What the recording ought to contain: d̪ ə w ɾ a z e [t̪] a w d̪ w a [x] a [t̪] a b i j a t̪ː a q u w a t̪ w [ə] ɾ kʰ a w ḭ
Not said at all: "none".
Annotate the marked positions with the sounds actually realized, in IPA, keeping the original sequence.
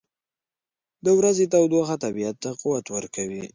t̪, x, t̪, ə

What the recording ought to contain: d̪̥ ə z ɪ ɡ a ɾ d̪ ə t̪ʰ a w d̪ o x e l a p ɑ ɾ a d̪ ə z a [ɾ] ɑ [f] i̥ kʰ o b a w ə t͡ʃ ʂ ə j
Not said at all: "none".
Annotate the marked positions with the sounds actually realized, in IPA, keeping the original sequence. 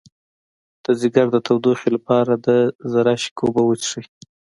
ɾ, ʃ

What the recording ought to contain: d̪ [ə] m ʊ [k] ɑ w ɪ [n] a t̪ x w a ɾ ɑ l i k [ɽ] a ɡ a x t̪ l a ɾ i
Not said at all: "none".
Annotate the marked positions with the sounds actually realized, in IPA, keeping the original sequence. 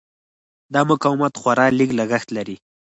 ɑ, k, m, l

